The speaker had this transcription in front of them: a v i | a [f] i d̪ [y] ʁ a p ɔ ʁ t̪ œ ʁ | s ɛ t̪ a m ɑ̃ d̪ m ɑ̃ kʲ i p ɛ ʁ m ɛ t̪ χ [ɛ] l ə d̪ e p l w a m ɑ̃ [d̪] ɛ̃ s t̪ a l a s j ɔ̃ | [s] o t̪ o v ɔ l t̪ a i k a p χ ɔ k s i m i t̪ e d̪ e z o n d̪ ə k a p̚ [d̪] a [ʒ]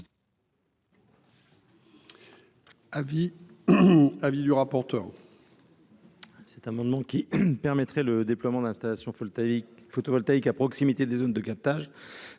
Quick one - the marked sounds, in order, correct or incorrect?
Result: incorrect: v, correct, correct, correct, incorrect: f, incorrect: t̪, correct

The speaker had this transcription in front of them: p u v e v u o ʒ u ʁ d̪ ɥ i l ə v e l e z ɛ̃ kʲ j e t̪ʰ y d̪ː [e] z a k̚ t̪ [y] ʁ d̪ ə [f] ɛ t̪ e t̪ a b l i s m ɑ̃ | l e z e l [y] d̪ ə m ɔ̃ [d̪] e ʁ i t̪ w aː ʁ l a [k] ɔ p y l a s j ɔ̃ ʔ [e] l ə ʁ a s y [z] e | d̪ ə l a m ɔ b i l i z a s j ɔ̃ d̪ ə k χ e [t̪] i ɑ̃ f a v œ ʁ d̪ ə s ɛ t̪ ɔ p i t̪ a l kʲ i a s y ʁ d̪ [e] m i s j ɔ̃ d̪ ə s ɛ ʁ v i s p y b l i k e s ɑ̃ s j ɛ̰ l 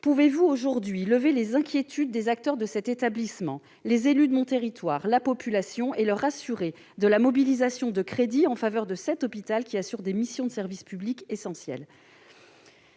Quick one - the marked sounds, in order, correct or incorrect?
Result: correct, incorrect: œ, incorrect: s, correct, incorrect: t̪, incorrect: p, correct, incorrect: ʁ, incorrect: d̪, correct

